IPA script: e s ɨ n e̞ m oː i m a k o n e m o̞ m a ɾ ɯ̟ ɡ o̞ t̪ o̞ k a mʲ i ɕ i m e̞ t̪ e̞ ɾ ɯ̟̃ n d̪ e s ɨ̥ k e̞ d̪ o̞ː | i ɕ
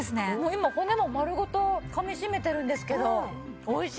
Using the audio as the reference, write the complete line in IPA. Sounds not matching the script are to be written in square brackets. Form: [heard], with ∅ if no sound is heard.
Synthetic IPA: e s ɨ n e̞ m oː i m a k o n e m o̞ m a ɾ ɯ̟ ɡ o̞ t̪ o̞ k a mʲ i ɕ i m e̞ t̪ e̞ ɾ ɯ̟̃ n d̪ e s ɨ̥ k e̞ d̪ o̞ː | i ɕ